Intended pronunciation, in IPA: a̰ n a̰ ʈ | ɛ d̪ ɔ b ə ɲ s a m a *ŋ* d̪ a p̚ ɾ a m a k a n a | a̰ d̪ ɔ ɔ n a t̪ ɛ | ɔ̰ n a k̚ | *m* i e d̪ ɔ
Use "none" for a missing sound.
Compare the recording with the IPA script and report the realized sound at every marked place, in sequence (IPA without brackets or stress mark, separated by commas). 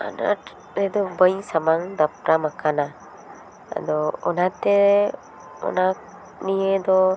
ŋ, n